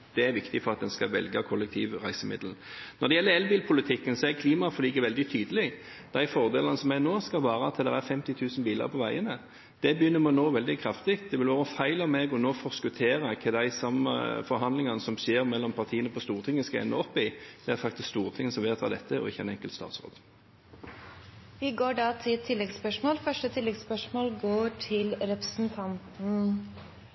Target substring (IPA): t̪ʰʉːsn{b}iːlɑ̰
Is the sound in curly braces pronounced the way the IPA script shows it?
yes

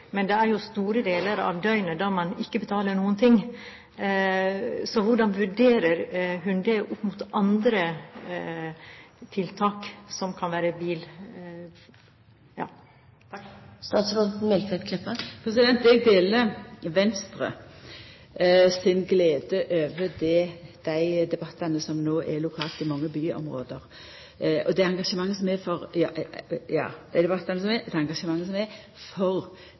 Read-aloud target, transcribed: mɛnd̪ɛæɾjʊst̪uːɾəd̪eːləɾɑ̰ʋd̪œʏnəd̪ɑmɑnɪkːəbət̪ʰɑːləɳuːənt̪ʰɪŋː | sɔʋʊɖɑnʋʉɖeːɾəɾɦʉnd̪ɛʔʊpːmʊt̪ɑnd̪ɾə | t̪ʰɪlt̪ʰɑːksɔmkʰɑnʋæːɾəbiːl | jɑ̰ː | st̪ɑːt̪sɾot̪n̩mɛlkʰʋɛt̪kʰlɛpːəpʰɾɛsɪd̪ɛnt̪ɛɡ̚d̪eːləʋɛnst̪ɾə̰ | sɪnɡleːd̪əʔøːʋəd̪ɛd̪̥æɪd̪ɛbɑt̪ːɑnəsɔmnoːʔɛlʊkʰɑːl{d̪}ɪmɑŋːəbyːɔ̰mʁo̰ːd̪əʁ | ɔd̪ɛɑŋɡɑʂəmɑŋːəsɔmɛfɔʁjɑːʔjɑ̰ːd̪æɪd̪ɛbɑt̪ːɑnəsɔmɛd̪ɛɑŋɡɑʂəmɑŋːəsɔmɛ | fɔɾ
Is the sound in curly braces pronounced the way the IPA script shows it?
no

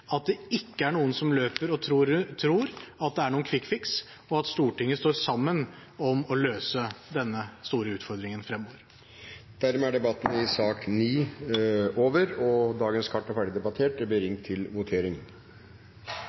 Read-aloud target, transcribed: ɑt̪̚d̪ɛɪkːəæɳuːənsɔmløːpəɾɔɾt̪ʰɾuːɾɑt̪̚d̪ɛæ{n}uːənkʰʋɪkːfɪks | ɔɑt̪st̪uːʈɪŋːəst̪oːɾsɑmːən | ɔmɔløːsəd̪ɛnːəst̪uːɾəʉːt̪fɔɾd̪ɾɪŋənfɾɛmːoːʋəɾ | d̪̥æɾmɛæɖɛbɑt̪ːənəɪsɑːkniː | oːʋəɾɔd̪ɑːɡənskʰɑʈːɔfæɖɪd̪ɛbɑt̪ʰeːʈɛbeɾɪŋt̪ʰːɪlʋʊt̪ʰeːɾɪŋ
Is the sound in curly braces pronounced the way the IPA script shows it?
no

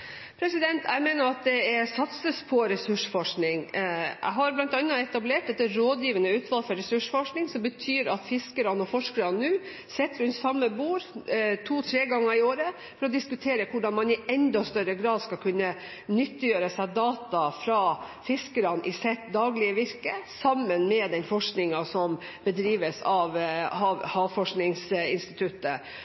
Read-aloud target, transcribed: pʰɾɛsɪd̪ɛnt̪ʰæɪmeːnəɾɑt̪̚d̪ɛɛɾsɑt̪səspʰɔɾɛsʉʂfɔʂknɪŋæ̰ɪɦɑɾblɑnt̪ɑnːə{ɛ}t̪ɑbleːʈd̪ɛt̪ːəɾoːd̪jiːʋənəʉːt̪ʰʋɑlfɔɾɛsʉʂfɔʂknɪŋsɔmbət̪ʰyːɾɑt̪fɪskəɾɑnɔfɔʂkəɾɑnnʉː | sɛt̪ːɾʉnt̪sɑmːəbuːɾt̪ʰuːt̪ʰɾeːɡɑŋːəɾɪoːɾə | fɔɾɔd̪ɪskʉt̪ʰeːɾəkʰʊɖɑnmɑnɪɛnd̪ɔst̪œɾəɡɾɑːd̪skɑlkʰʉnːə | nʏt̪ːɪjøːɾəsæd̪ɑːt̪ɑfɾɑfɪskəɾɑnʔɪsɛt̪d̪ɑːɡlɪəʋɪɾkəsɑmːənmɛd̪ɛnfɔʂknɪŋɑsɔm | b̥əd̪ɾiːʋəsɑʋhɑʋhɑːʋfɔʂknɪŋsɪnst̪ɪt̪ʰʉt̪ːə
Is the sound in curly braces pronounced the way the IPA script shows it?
yes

